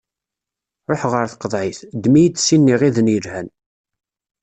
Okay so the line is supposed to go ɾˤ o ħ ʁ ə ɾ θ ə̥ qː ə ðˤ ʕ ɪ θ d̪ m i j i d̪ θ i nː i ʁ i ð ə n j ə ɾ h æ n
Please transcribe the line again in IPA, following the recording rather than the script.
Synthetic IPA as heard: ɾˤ o ħ ʁ ə ɾ θ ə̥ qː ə ðˤ ʕ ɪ θ d̪ m i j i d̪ s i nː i ʁ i ð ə n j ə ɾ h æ n